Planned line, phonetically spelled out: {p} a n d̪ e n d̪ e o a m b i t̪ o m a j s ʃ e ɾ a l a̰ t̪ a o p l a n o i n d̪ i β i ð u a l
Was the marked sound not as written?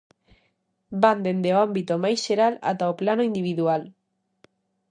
yes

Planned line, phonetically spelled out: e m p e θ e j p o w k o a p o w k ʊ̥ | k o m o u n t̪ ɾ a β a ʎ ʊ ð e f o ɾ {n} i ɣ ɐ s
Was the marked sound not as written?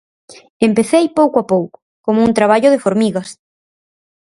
yes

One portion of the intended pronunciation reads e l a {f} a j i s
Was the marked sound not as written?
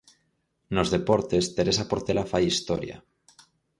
no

